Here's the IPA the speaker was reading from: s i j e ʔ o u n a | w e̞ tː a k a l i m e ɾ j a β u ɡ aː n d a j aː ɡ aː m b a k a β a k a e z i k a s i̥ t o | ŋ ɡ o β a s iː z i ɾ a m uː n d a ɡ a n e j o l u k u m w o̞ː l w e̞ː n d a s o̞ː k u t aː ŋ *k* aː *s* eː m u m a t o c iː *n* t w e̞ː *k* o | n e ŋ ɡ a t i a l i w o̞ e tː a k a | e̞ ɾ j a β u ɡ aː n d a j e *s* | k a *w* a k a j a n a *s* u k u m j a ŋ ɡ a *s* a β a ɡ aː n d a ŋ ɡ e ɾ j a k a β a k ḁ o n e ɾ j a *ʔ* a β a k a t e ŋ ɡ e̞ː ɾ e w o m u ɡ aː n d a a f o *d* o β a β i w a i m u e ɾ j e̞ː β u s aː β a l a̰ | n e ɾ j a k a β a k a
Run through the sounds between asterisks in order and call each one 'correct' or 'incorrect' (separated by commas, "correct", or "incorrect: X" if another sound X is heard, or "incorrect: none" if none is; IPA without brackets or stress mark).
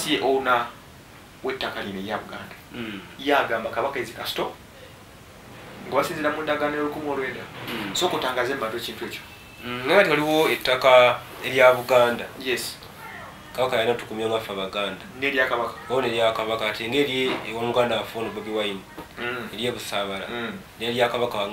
incorrect: ɡ, incorrect: z, correct, incorrect: c, correct, incorrect: β, incorrect: t, incorrect: f, incorrect: k, incorrect: n